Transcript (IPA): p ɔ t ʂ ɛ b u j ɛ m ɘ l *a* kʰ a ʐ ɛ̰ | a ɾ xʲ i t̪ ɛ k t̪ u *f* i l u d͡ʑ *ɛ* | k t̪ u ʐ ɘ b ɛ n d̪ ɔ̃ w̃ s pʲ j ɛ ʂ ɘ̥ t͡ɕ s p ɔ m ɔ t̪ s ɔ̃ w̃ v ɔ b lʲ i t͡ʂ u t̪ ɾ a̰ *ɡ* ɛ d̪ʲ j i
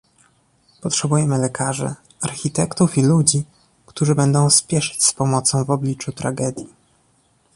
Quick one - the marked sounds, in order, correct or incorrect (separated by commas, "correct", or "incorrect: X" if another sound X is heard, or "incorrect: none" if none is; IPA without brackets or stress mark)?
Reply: incorrect: ɛ, correct, incorrect: i, correct